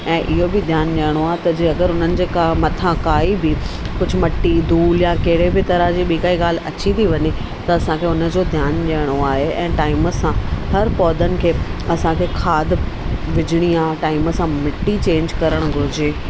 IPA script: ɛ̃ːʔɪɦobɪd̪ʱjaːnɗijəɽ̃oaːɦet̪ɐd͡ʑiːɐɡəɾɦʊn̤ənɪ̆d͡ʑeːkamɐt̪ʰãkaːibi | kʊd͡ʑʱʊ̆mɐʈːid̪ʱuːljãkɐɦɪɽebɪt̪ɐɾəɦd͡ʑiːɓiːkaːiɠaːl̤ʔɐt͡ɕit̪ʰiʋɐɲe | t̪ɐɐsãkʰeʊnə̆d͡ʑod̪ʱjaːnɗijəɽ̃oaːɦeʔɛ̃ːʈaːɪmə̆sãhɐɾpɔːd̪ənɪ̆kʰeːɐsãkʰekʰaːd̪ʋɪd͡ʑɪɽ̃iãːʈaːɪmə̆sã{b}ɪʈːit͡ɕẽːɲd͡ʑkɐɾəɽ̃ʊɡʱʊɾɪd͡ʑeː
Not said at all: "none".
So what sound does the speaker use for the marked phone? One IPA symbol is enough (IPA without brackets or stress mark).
m